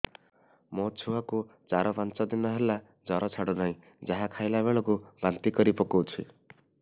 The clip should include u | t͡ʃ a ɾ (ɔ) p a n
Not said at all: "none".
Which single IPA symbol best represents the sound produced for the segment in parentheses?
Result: ɔ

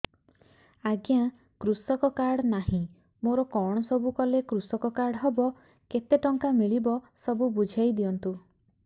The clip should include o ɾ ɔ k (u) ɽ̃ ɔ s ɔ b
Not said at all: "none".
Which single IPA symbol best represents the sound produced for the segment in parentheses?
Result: ɔ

